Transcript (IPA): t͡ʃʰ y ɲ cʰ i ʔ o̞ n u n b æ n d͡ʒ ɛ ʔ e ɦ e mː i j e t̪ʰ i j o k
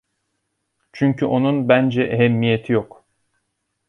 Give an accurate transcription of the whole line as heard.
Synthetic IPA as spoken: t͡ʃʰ y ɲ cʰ y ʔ o̞ n u n b æ n d͡ʒ ɛ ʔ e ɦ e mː i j e t̪ʰ i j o k